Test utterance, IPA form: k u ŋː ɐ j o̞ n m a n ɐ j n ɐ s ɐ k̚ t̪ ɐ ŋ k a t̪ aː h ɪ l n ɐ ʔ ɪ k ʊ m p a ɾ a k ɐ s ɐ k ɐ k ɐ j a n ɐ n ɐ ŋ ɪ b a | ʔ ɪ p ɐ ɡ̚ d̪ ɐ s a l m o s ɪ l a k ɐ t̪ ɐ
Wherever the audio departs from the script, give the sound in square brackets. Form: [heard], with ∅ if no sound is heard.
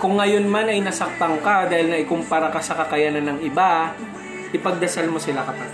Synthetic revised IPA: k [ʊ] ŋː ɐ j o̞ n m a n ɐ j n ɐ s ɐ k̚ t̪ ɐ ŋ k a [d̪] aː h ɪ l n ɐ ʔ ɪ k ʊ m p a ɾ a k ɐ s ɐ k ɐ k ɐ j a n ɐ n ɐ ŋ ɪ b a | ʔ ɪ p ɐ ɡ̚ d̪ ɐ s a l m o s ɪ l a k ɐ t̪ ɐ